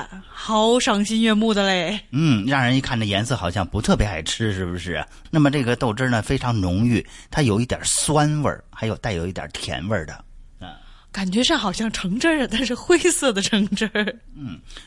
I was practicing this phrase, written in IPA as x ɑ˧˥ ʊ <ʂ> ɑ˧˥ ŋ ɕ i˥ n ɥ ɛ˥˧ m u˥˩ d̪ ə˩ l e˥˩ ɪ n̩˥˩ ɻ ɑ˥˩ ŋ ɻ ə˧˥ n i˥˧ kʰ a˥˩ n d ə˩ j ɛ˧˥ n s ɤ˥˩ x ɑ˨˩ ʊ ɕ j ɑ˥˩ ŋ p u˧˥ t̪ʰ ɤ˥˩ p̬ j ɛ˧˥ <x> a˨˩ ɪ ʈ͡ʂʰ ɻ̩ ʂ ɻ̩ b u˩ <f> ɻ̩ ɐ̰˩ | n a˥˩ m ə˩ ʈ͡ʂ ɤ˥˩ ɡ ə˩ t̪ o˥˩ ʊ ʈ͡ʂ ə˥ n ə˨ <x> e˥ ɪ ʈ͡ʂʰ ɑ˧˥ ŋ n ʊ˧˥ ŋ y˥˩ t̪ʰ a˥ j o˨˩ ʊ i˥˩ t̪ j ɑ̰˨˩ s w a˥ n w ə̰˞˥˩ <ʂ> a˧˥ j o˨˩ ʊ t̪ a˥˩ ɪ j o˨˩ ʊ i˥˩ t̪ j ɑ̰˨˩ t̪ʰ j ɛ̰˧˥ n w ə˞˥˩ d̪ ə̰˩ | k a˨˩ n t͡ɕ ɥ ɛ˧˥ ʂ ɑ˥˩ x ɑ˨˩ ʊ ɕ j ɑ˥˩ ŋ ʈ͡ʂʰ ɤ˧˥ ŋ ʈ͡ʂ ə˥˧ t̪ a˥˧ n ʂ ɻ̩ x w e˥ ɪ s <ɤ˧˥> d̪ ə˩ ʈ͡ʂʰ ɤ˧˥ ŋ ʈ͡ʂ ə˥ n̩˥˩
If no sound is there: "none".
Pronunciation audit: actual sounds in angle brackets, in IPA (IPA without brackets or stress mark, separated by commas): ʂ, x, ʂ, f, x, ɤ˥˩